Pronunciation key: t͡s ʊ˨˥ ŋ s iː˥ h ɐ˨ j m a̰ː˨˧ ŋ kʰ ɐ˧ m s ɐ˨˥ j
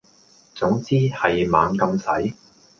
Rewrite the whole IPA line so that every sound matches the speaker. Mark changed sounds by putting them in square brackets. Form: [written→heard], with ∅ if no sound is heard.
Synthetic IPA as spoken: t͡s ʊ˨˥ ŋ [s→t͡s] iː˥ h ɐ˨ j m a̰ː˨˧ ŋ [kʰ→k] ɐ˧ m s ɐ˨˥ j